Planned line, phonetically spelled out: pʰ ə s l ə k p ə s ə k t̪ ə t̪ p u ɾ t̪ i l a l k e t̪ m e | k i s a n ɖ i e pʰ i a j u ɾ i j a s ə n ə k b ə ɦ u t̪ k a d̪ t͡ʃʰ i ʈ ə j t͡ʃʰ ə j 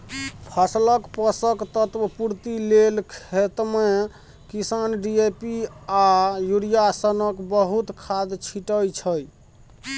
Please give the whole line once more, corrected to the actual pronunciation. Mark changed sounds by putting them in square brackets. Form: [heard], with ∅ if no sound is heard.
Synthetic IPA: pʰ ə s l ə k p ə s ə k t̪ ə t̪ p u ɾ t̪ i l [e] l [kʰ] e t̪ m e | k i s a n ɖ i e [p] i a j u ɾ i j a s ə n ə k b ə ɦ u t̪ [kʰ] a d̪ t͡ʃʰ i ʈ ə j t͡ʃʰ ə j